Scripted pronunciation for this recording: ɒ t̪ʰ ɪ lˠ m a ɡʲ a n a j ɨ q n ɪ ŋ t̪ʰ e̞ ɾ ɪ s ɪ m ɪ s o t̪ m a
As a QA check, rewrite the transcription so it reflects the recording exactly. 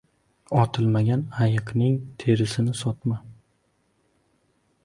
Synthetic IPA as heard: ɒ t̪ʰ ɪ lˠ m a ɡʲ a n a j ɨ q n ɪ ŋ t̪ʰ e̞ ɾ ɪ s ɪ n ɪ s ɒ t̪ m a